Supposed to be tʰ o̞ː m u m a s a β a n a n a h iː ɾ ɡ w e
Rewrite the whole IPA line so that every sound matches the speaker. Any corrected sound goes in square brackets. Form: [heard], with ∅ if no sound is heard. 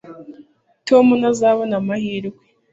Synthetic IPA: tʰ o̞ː m u [n] a [z] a β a n a [m] a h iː ɾ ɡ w e